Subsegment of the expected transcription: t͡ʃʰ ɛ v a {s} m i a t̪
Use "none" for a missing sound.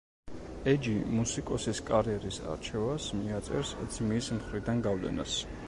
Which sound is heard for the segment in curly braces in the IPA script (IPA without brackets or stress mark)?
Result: s